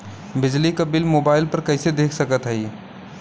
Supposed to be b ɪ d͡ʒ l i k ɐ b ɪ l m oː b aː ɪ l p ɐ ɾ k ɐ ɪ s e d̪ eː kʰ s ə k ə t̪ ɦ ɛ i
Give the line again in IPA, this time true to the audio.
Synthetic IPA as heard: b ɪ d͡ʒ l i k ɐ b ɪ l m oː b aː ɪ l p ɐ ɾ k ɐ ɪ s e d̪ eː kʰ s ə k ə t̪ ɦ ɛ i